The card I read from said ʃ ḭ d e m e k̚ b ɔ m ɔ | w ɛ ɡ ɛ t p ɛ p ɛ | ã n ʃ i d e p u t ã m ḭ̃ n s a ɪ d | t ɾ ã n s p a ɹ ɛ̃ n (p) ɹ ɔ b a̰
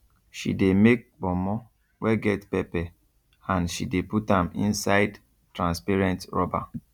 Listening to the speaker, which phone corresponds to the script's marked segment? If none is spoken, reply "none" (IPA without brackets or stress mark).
t